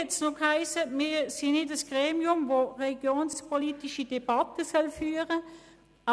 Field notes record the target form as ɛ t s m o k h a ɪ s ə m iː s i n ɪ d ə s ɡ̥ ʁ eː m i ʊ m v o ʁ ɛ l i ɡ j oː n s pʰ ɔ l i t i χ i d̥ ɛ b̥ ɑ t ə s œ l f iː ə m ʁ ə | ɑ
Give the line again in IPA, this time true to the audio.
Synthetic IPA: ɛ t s n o k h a ɪ s ə m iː s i n ɪ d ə s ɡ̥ ʁ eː m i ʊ m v o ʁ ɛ l i ɡ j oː n s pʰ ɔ l i t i ʃ i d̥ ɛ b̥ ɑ t ə s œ l f yː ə ʁ ə | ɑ